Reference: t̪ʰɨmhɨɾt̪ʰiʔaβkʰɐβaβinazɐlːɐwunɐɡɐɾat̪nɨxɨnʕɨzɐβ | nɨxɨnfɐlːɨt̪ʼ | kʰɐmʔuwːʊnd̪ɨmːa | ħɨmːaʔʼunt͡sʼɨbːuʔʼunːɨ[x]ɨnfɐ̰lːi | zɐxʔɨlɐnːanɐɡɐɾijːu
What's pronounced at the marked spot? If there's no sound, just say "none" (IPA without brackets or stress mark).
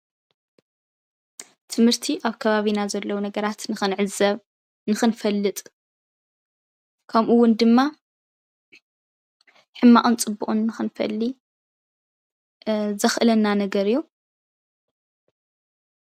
x